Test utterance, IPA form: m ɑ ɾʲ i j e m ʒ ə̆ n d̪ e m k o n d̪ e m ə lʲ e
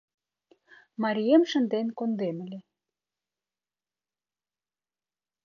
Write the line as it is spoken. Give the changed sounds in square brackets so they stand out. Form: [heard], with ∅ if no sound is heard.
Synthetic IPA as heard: m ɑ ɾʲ i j e m [ʃ] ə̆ n d̪ e [n] k o n d̪ e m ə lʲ e